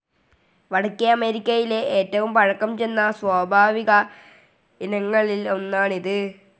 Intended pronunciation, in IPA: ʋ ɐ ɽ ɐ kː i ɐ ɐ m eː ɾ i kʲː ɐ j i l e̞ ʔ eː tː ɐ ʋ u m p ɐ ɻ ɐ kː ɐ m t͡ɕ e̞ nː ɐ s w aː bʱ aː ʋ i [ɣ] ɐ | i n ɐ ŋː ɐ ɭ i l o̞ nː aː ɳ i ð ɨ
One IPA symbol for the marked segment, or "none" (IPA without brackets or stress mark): ɣ